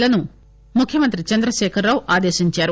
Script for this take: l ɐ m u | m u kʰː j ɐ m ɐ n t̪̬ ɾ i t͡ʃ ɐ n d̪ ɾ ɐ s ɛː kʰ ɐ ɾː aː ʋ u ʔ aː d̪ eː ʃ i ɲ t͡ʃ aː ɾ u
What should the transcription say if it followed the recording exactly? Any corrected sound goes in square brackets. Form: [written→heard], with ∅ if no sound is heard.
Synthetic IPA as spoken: l ɐ [m→n] u | m u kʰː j ɐ m ɐ n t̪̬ ɾ i t͡ʃ ɐ n d̪ ɾ ɐ [s→ʃ] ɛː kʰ ɐ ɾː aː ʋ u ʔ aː d̪ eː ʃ i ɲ t͡ʃ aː ɾ u